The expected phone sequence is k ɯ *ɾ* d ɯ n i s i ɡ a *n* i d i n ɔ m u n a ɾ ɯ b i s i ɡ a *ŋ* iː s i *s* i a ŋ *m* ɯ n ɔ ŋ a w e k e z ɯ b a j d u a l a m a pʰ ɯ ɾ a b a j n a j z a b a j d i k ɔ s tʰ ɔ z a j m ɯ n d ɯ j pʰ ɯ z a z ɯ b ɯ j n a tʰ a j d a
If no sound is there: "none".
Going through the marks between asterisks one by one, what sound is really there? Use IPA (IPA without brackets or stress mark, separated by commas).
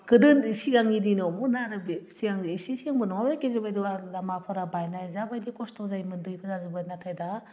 none, ŋ, ŋ, s, b